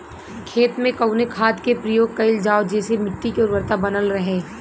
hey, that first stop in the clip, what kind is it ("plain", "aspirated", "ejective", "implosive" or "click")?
aspirated